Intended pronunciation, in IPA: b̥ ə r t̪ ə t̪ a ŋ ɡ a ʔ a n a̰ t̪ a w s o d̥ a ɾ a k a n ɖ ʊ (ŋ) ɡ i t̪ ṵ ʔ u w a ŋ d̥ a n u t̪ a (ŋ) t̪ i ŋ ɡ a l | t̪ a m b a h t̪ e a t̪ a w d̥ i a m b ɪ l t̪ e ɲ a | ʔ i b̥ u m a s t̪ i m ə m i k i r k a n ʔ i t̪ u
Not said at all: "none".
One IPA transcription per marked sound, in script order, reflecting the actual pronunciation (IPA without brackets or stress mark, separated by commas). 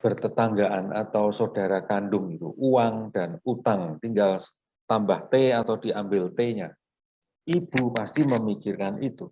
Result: ŋ, ŋ